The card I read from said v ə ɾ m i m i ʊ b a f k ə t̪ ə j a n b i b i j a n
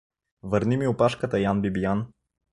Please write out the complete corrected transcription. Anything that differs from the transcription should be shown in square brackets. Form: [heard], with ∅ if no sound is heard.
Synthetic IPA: v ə ɾ [n] i m i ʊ [p] a [ʃ] k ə t̪ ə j a n b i b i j a n